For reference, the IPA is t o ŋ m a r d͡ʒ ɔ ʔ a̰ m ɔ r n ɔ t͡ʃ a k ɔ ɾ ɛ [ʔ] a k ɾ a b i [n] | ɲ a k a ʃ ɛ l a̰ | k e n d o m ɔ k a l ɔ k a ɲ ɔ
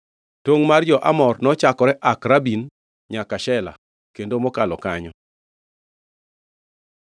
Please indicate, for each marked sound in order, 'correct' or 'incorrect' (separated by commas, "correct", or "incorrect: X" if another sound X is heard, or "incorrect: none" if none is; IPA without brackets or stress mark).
correct, correct